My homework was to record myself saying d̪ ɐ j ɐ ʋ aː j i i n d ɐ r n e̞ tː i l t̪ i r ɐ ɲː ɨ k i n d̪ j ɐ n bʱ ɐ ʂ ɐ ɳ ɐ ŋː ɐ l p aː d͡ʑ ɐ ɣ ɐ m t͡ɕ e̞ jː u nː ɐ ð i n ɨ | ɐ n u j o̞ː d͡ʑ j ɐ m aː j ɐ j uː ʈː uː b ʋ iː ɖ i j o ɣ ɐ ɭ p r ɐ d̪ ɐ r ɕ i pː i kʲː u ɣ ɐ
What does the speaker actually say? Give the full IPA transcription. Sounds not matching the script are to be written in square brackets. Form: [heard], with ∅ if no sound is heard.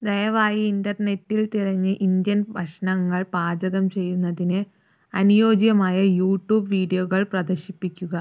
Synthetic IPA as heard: d̪ ɐ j ɐ ʋ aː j i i n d ɐ r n e̞ tː i l t̪ i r ɐ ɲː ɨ [ʔ] i n d̪ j ɐ n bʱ ɐ ʂ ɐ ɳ ɐ ŋː ɐ [ɭ] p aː d͡ʑ ɐ ɣ ɐ m t͡ɕ e̞ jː u nː ɐ ð i n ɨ | ɐ n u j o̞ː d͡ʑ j ɐ m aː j ɐ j uː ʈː uː b ʋ iː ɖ i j o ɣ ɐ ɭ p r ɐ d̪ ɐ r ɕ i pː i kʲː u ɣ ɐ